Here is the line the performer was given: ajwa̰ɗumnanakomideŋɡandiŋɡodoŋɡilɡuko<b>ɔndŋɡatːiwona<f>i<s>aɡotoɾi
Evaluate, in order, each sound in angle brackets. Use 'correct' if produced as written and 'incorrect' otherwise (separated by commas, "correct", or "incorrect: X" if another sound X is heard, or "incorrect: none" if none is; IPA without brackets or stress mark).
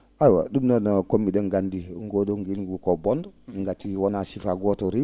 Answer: correct, incorrect: s, incorrect: f